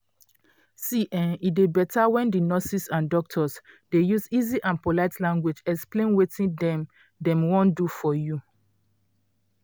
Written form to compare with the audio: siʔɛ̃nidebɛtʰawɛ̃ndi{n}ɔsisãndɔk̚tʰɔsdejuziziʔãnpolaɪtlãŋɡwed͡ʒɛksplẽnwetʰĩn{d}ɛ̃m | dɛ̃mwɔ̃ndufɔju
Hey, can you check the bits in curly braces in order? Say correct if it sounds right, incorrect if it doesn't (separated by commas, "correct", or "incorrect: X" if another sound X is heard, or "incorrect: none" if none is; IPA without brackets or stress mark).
correct, correct